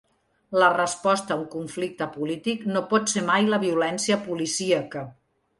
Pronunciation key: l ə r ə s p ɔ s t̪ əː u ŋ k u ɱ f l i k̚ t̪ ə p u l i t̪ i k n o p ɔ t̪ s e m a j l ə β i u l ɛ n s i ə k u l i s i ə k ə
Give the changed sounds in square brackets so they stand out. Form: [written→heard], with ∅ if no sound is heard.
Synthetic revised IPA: l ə r ə s p ɔ s t̪ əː u ŋ k u ɱ f l i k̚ t̪ ə p u l i t̪ i k n o p ɔ t̪ s e m a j l ə β i u l ɛ n s i ə [k→p] u l i s i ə k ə